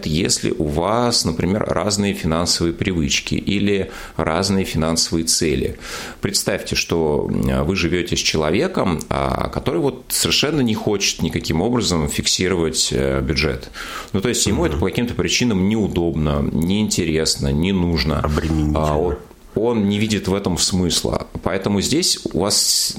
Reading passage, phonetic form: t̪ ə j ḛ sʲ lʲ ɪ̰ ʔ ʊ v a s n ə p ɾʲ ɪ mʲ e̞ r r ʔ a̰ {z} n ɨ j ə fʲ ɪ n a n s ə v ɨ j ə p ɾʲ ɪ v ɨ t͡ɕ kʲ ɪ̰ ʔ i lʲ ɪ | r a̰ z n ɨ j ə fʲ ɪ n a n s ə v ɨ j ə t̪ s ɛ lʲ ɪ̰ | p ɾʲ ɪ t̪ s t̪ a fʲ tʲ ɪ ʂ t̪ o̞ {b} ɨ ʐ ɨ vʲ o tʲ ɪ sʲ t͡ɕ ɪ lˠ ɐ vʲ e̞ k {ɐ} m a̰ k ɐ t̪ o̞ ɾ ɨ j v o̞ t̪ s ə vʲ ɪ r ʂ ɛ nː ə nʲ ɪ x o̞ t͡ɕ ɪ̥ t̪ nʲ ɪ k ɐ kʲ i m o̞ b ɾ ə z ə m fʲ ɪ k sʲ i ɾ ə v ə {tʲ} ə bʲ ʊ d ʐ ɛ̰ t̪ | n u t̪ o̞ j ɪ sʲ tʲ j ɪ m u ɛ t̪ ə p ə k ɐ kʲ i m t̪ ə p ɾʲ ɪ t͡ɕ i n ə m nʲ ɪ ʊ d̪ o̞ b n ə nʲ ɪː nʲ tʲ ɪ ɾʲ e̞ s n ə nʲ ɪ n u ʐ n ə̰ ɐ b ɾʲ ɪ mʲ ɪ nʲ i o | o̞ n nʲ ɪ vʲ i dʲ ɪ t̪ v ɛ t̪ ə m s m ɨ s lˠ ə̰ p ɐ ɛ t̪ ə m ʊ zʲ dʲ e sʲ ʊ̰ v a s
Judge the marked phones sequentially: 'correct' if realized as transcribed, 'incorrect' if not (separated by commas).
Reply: correct, incorrect, incorrect, correct